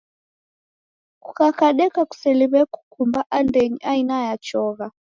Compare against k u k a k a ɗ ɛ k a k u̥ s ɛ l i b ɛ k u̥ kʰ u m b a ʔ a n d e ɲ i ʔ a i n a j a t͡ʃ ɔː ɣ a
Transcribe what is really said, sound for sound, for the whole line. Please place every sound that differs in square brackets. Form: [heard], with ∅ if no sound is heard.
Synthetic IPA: k u k a k a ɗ ɛ k a k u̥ s ɛ l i [β] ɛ k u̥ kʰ u m b a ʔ a n d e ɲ i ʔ a i n a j a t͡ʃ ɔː ɣ a